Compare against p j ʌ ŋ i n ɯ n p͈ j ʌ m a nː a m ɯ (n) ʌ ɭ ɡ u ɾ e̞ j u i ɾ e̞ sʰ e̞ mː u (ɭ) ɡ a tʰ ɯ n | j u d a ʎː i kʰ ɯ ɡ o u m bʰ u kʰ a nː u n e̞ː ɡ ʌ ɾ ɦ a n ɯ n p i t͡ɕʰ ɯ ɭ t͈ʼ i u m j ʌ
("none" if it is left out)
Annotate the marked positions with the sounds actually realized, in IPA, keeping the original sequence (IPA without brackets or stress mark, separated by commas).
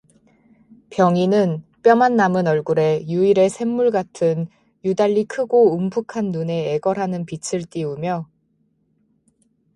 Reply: n, ɭ